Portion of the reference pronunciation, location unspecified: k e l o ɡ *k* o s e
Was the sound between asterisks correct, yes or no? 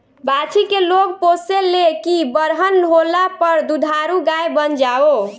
no